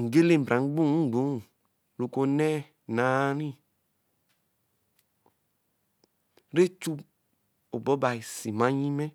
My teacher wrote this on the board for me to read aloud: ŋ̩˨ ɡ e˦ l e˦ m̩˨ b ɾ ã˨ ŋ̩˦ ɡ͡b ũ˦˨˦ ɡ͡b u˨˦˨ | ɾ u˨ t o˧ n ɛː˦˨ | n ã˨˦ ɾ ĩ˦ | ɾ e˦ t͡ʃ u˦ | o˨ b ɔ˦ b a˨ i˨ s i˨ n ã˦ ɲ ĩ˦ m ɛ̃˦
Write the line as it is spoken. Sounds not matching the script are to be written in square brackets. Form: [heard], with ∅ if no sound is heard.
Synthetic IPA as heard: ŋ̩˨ ɡ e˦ l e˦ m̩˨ b ɾ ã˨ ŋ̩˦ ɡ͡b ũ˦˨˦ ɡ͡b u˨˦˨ | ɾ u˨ [k] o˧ n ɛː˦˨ | n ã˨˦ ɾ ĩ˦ | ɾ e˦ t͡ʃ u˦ | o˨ b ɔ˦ b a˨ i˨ s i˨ [m] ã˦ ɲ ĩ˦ m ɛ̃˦

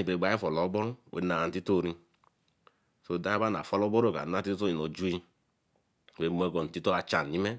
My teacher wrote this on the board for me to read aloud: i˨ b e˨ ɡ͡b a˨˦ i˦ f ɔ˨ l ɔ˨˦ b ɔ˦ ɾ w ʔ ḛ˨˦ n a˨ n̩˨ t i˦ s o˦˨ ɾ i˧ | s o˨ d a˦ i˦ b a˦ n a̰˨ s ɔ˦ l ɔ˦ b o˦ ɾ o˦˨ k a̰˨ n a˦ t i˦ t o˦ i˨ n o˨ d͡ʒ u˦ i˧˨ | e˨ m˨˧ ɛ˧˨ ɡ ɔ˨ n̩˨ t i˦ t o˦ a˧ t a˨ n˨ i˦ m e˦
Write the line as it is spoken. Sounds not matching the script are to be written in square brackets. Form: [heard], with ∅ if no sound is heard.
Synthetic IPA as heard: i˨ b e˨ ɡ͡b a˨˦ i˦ f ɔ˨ l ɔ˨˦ b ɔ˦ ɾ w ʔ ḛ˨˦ n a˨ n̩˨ t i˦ [t] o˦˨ ɾ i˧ | s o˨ d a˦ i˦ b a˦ n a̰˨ [f] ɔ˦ l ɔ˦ b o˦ ɾ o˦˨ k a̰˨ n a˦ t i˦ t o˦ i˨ n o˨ d͡ʒ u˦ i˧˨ | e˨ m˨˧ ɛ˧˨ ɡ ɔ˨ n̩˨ t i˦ t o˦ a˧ [t͡ʃ] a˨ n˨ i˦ m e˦

